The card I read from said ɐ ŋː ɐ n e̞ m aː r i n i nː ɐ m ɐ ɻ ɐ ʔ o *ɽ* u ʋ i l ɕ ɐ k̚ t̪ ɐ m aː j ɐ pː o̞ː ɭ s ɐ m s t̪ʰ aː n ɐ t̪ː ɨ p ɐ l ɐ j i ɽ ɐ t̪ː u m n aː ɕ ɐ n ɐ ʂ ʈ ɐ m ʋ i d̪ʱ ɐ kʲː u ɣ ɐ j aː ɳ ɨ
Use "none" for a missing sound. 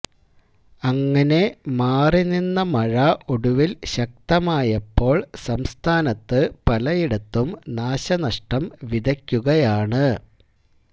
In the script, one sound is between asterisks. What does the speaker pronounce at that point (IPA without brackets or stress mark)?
ɽ